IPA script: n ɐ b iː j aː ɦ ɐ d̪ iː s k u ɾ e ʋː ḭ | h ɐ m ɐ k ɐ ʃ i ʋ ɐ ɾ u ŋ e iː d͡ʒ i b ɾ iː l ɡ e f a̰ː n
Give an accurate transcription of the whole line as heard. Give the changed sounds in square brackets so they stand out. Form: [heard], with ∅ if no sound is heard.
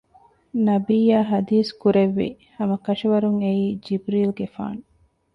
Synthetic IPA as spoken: n ɐ b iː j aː ɦ ɐ d̪ iː s k u ɾ e ʋː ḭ | h ɐ m ɐ k ɐ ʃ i ʋ ɐ ɾ u ŋ e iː d͡ʒ i b ɾ iː l ɡ e f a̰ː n

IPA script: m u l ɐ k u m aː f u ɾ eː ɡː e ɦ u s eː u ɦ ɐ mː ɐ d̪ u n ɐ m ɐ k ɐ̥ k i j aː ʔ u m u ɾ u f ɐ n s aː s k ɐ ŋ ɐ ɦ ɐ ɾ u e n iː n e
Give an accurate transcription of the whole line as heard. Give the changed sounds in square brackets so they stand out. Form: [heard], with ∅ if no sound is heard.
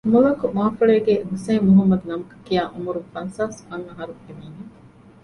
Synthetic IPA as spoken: m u l ɐ k u m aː f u [ɭ] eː [ɡ] e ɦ u s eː u ɦ ɐ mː ɐ d̪ u n ɐ m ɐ k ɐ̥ k i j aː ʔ u m u ɾ u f ɐ n s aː s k ɐ ŋ ɐ ɦ ɐ ɾ u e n iː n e

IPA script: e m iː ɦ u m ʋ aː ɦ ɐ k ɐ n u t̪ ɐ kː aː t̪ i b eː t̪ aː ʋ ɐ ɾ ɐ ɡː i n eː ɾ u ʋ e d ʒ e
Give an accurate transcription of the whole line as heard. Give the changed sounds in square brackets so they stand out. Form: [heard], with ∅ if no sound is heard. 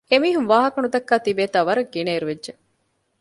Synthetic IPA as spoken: e m iː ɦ u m ʋ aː ɦ ɐ k ɐ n u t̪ ɐ kː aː t̪ i b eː t̪ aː ʋ ɐ ɾ ɐ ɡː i n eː ɾ u ʋ e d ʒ e

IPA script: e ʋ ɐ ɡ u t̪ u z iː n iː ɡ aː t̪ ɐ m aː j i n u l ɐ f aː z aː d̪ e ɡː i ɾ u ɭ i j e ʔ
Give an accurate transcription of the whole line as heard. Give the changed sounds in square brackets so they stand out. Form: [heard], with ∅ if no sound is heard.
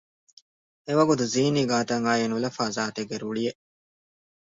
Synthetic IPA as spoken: e ʋ ɐ ɡ u t̪ u z iː n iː ɡ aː t̪ ɐ [ŋ] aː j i n u l ɐ f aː z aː [t̪] e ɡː [e] ɾ u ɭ i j e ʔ

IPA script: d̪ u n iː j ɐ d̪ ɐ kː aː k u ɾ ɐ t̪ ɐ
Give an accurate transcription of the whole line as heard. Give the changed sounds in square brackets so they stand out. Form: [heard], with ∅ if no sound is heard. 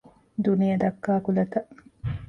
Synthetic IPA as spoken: d̪ u n [i] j ɐ d̪ ɐ kː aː k u [l] ɐ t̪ ɐ

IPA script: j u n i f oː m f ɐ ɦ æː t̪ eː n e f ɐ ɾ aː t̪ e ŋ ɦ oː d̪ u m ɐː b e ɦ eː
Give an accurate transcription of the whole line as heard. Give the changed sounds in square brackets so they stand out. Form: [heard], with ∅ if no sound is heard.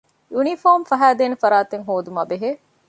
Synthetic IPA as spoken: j u n i f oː m f ɐ ɦ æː [d̪] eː n e f ɐ ɾ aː t̪ e ŋ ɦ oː d̪ u m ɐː b e ɦ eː

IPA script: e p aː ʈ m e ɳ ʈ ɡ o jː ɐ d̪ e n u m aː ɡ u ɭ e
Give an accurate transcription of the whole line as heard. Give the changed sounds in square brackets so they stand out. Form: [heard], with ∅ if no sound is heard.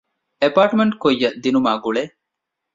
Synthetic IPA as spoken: e p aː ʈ m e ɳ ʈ [k] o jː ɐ d̪ [i] n u m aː ɡ u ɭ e

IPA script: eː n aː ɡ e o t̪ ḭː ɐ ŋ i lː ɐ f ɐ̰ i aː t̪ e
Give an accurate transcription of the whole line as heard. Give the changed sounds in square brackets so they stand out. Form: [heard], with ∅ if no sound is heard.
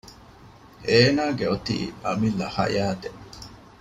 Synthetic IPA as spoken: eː n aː ɡ e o t̪ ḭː ɐ [m] i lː ɐ [h] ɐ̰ [j] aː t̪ e

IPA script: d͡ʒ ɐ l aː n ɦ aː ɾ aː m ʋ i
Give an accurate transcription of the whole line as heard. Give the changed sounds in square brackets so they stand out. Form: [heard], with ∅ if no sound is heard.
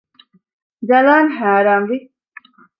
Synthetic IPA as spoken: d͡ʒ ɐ l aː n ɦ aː ɾ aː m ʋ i

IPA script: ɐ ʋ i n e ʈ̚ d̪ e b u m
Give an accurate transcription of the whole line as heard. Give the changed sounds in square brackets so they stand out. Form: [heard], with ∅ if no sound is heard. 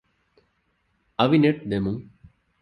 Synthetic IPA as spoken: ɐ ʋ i n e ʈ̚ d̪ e [m] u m

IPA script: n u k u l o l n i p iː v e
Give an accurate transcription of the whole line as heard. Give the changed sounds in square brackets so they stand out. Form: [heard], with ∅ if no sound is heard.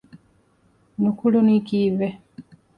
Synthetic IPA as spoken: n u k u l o [∅] n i [k] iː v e

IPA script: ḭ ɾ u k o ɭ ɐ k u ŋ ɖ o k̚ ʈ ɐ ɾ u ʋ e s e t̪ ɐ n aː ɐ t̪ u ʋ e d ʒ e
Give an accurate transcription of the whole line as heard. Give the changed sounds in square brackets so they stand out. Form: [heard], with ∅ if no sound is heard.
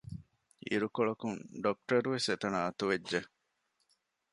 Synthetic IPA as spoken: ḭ ɾ u k o ɭ ɐ k u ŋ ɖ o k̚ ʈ ɐ ɾ u ʋ e s e t̪ ɐ n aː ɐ t̪ u ʋ e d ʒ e

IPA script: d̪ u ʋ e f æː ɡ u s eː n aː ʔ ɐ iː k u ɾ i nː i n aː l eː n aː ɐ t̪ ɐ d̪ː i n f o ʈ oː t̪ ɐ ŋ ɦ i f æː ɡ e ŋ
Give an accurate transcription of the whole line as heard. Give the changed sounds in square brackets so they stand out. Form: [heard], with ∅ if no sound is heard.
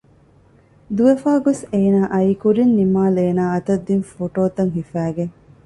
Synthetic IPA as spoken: d̪ u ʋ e f [aː] ɡ [o] s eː n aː ʔ ɐ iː k u ɾ i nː i [m] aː l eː n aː ɐ t̪ ɐ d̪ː i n f o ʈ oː t̪ ɐ ŋ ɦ i f æː ɡ e ŋ

